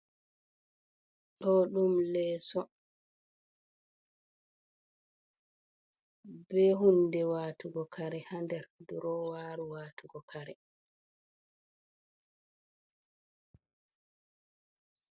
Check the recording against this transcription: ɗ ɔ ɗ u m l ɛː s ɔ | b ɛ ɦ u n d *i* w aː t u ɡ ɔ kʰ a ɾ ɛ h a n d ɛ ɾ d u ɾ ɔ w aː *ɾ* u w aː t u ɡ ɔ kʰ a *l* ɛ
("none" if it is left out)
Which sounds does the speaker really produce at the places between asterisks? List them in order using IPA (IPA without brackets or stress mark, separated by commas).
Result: ɛ, ɾ, ɾ